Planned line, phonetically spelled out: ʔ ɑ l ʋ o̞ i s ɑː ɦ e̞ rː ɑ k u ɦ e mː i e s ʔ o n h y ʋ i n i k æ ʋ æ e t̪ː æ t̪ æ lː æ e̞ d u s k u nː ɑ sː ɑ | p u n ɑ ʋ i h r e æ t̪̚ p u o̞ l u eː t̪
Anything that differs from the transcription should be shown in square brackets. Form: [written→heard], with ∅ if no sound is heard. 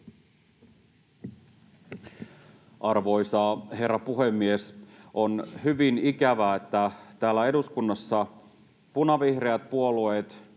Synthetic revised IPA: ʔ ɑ [l→r] ʋ o̞ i s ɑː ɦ e̞ rː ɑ [k→p] u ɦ e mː i e s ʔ o n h y ʋ i n i k æ ʋ æ e t̪ː æ t̪ [æ→æː] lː æ e̞ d u s k u nː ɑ sː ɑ | p u n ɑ ʋ i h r e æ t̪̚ p u o̞ l u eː t̪

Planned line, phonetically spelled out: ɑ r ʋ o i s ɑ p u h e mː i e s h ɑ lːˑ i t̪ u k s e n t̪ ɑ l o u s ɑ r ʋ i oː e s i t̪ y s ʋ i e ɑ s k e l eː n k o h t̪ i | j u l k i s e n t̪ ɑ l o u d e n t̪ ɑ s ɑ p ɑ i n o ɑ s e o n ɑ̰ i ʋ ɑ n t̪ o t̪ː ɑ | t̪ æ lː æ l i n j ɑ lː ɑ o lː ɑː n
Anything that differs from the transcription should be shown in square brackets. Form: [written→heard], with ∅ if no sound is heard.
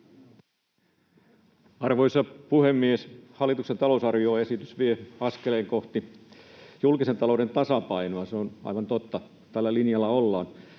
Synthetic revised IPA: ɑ r ʋ o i s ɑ p u h e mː i e s h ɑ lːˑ i t̪ u k s e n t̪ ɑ l o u s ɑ r ʋ i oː e s i t̪ y s ʋ i e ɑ s k e l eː [n→ŋ] k o h t̪ i | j u l k i s e n t̪ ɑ l o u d e n t̪ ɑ s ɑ p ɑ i n o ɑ s e o n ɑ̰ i ʋ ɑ n t̪ o t̪ː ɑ | t̪ æ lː æ l i n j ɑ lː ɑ o lː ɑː n

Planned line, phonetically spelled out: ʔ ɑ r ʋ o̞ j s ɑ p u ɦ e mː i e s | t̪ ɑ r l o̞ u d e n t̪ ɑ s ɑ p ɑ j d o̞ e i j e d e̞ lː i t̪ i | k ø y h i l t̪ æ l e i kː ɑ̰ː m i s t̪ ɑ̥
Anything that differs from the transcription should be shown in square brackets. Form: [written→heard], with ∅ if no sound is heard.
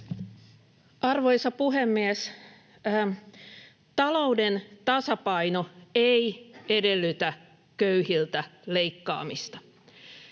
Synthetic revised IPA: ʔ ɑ r ʋ o̞ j s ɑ p u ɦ e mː i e s | t̪ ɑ [r→∅] l o̞ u d e n t̪ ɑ s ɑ p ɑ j [d→n] o̞ e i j e d e̞ lː [i→y] t̪ [i→æ] | k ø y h i l t̪ æ l e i kː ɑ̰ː m i s t̪ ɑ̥

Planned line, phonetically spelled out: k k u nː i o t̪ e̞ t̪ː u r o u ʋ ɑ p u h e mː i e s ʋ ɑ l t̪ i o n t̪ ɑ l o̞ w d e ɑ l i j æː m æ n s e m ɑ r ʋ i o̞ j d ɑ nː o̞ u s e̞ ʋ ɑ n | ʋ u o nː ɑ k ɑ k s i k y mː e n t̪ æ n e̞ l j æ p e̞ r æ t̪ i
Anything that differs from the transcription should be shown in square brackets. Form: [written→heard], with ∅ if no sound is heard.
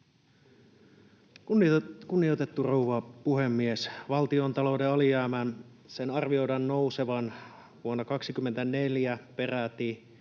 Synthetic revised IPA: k k u nː i o t̪ e̞ t̪ː u r o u ʋ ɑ p u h e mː i e s ʋ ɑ l t̪ i o n t̪ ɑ l o̞ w d e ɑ l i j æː m æ n s e [m→n] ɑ r ʋ i o̞ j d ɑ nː o̞ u s e̞ ʋ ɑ n | ʋ u o nː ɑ k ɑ k s i k y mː e n t̪ æ n e̞ l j æ p e̞ r æ t̪ i

